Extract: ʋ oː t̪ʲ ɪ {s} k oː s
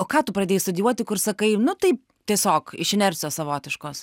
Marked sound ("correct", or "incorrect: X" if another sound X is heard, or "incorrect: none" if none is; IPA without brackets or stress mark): incorrect: ʃ